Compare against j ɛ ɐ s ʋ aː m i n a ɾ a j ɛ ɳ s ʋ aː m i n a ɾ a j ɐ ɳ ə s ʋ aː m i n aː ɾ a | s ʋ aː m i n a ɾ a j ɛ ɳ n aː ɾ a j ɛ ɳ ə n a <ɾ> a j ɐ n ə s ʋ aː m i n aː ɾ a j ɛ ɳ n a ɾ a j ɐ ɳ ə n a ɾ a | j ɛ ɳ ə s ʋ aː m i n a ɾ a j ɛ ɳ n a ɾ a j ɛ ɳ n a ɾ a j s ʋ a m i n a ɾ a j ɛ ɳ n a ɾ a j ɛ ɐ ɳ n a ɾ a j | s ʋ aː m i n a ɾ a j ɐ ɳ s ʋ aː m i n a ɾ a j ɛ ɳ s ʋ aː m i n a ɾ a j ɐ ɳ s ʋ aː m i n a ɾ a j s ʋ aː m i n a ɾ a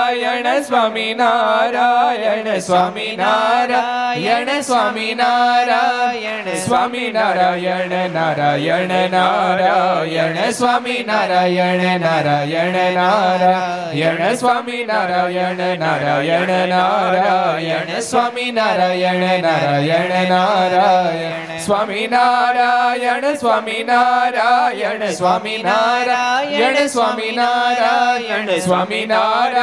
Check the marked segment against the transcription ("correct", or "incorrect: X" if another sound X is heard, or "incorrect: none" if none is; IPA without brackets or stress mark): correct